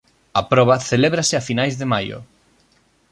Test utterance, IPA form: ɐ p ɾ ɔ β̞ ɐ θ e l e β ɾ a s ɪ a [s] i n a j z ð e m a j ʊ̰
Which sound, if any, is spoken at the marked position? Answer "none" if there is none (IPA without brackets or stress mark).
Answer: f